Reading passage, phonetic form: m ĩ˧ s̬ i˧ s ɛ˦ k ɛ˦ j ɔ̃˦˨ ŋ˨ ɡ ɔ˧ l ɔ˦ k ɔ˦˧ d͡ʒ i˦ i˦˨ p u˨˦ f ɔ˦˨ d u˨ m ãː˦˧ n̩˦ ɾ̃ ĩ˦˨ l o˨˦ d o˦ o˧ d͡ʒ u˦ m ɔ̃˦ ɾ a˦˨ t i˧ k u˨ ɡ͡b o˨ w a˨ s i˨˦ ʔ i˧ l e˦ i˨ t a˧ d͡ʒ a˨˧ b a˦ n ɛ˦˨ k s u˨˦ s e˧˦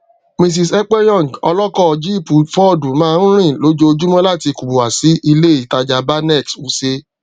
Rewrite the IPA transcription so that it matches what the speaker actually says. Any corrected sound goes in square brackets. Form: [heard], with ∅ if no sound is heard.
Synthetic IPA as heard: m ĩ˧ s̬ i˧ s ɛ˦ [k͡p] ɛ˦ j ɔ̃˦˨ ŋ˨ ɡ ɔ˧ l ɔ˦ k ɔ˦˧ d͡ʒ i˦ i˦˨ p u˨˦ f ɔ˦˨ d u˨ m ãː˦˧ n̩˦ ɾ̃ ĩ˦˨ l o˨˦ [d͡ʒ] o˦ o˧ d͡ʒ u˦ m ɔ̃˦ [l] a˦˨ t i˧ k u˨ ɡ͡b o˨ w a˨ s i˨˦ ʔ i˧ l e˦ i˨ t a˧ d͡ʒ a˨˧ b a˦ n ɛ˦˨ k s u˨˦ s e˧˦